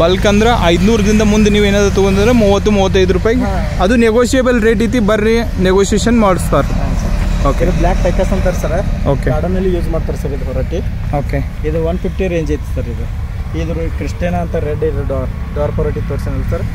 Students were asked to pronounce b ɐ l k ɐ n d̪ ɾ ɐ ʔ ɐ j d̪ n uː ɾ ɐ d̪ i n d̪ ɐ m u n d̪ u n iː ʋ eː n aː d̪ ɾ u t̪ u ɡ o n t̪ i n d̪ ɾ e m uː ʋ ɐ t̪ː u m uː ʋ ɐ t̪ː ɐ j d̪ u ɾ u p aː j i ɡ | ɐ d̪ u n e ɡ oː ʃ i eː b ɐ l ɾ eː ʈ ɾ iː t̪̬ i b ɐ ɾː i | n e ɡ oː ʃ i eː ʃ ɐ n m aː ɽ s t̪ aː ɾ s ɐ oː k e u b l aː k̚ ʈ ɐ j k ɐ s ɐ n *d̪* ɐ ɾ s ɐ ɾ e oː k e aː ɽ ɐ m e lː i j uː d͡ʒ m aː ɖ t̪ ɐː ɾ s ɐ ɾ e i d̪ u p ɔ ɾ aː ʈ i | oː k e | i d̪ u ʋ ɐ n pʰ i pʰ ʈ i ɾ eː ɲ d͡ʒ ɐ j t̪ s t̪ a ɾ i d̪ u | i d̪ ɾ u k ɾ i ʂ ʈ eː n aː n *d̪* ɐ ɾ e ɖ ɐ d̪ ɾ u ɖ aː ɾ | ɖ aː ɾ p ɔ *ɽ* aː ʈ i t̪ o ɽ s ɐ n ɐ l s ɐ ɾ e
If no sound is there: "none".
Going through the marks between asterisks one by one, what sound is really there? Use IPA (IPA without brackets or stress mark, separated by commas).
t̪, t̪, ɾ